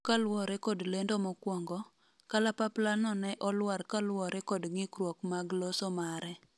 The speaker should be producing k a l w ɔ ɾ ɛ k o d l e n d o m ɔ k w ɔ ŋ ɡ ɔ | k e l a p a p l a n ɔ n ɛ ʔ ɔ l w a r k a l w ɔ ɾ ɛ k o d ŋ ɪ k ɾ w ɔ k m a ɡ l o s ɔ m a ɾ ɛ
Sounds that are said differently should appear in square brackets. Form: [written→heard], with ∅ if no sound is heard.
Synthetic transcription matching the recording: k a l w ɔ ɾ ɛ k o d l e n d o m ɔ k w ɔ ŋ ɡ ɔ | k [e→a] l a p a p l a n ɔ n ɛ ʔ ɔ l w a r k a l w ɔ ɾ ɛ k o d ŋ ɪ k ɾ w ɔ k m a ɡ l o s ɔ m a ɾ ɛ